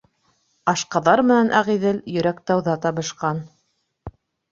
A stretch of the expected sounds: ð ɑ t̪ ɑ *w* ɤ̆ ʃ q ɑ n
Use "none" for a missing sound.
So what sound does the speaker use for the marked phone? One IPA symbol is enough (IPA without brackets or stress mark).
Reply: β